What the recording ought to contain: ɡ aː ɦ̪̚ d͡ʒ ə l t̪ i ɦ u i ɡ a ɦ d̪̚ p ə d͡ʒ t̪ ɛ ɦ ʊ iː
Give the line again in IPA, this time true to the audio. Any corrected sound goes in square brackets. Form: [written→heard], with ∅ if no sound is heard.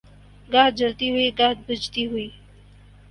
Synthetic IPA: ɡ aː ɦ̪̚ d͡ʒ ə l t̪ i ɦ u i ɡ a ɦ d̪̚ [p→b] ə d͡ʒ t̪ [ɛ→i] ɦ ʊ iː